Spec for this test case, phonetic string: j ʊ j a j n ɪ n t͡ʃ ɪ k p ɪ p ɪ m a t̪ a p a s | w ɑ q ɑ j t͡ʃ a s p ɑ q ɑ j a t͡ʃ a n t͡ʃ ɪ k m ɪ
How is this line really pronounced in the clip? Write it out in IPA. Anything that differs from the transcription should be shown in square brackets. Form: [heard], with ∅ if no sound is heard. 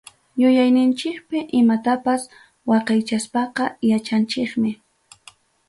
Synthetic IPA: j ʊ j a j n ɪ n t͡ʃ ɪ k p ɪ [ʔ] ɪ m a t̪ a p a s | w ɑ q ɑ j t͡ʃ a s p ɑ q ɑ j a t͡ʃ a n t͡ʃ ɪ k m ɪ